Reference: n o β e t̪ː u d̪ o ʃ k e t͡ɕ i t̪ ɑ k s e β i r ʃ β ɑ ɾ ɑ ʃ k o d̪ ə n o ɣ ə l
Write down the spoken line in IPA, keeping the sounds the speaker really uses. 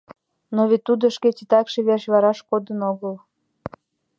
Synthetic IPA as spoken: n o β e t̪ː u d̪ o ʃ k e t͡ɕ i t̪ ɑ k ʃ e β e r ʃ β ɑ ɾ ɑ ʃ k o d̪ ə n o ɣ ə l